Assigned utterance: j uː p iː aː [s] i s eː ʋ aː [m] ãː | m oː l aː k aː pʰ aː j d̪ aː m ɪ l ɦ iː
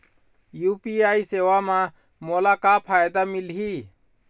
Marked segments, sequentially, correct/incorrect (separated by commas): incorrect, correct